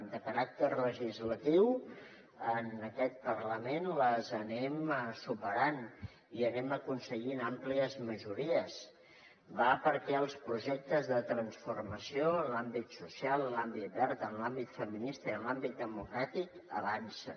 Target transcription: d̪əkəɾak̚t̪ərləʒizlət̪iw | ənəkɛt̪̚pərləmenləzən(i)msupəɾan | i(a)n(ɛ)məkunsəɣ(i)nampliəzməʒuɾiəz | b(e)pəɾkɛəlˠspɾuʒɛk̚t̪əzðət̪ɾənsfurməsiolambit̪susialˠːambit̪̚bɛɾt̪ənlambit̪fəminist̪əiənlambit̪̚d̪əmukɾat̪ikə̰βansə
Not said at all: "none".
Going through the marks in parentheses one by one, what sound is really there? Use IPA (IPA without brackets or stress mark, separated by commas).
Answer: ɛ, ə, ɛ, i, a